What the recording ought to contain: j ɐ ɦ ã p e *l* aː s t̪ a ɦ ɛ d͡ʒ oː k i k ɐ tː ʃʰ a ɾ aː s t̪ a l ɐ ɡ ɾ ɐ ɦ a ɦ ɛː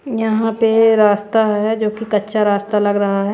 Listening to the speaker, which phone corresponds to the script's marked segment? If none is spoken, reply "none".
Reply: ɾ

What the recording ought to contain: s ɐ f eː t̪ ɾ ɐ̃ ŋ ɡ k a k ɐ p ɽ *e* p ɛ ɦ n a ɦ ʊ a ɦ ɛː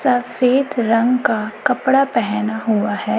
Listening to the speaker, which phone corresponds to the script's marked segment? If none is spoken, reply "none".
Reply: a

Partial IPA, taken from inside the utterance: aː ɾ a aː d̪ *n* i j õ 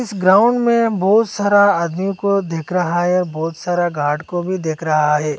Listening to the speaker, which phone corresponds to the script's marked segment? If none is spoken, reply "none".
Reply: m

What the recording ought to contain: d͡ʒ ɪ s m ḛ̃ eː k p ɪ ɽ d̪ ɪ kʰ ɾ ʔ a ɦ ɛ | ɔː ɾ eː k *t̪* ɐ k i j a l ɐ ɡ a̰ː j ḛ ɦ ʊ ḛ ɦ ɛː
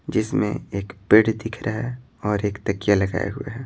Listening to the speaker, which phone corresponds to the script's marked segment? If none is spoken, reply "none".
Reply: t̪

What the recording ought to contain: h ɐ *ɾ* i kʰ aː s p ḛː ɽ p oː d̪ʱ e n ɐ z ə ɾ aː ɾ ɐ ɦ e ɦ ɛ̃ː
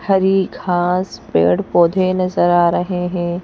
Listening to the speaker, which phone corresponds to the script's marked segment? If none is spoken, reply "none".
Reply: ɾ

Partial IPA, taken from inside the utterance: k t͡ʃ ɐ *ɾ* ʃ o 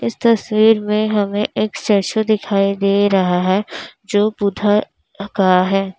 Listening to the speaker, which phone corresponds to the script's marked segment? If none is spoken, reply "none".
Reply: ɾ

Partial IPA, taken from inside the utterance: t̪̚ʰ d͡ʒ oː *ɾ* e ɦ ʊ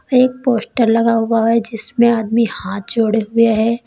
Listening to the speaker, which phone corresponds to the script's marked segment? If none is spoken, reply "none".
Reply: ɽ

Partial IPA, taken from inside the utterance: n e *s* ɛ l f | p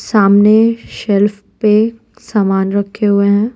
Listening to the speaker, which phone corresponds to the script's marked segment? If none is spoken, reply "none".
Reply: ʃ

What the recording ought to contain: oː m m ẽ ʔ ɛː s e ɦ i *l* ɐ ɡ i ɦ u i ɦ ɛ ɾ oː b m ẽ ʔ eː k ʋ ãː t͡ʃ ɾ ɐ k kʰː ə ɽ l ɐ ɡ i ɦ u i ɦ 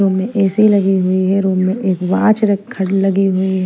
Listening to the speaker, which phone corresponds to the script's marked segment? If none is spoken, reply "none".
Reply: l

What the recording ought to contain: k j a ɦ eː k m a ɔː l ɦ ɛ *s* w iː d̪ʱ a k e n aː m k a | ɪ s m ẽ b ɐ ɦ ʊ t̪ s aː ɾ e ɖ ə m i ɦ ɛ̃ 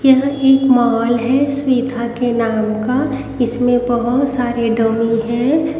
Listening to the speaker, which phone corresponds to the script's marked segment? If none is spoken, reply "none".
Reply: s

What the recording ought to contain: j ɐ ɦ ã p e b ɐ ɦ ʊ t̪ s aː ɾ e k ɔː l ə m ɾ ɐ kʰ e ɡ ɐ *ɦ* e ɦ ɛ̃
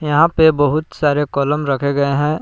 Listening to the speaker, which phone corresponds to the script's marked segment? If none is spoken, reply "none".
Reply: none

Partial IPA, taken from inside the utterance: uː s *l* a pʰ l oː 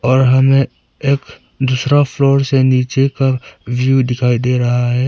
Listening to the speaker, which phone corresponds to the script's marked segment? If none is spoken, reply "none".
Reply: ɾ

